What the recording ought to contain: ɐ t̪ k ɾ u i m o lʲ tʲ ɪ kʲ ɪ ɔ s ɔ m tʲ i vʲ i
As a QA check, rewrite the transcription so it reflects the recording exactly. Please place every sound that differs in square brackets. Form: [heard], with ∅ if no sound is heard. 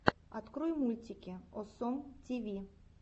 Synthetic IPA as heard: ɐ t̪ k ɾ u [j] m [u] lʲ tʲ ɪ kʲ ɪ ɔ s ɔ m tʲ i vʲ i